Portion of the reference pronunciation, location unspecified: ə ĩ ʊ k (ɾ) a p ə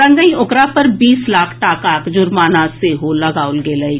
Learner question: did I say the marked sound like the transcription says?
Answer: yes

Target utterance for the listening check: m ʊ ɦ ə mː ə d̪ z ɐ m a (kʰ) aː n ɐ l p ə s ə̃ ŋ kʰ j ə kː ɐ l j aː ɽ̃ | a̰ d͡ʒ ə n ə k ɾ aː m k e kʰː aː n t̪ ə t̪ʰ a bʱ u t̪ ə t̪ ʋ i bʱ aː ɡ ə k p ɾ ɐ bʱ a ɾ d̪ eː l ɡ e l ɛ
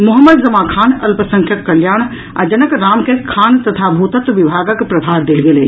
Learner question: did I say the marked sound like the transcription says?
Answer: yes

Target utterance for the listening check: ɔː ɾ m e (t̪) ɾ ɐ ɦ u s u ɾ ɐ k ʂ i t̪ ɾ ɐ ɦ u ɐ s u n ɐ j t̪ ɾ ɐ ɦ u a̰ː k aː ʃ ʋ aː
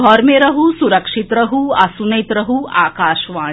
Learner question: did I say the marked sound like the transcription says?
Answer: no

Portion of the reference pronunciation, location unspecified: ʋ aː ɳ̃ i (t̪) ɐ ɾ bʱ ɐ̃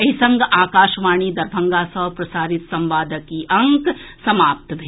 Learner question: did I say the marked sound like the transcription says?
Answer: no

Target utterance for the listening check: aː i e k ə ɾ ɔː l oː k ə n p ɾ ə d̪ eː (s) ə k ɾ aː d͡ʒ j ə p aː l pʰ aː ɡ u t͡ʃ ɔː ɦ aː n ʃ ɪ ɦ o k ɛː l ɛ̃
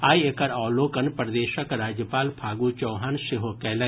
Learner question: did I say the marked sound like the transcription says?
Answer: no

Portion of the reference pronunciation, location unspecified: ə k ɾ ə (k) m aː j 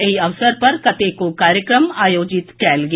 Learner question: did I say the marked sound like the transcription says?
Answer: no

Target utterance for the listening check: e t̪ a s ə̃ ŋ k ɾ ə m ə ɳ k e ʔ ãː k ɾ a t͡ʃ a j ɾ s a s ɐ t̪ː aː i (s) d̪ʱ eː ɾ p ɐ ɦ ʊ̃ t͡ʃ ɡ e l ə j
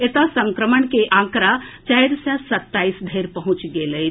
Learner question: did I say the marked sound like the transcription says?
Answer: yes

